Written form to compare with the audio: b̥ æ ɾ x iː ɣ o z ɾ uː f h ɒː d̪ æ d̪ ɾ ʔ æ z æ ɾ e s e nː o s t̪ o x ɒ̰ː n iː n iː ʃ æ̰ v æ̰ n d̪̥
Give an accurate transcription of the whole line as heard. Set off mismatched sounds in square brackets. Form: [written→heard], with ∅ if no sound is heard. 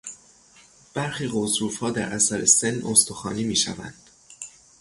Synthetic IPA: b̥ æ ɾ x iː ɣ o z ɾ uː f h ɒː d̪ æ [d̪→∅] ɾ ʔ æ [z→s] æ ɾ e s e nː o s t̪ o x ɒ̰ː n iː [n→m] iː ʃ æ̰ v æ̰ n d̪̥